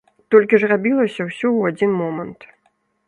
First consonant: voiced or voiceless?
voiceless